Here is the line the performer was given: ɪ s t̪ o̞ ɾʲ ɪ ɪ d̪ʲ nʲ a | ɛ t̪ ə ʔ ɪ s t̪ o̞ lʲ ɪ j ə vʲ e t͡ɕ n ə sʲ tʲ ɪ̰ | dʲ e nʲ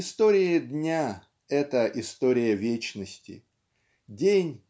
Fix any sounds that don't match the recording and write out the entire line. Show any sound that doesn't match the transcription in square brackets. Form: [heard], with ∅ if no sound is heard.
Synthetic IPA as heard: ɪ s t̪ o̞ ɾʲ ɪ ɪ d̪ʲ nʲ a | ɛ t̪ ə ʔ ɪ s t̪ o̞ [ɾʲ] ɪ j ə vʲ e t͡ɕ n ə sʲ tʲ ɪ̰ | dʲ e nʲ